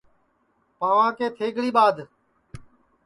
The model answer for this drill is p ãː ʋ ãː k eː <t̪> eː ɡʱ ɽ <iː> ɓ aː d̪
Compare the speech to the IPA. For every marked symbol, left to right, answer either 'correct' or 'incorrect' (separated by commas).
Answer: incorrect, correct